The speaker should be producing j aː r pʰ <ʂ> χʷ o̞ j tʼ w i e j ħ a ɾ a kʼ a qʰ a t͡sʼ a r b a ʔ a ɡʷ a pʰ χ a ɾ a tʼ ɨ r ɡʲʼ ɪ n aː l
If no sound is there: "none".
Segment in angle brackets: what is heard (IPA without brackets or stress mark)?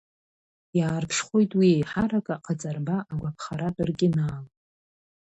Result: ʂ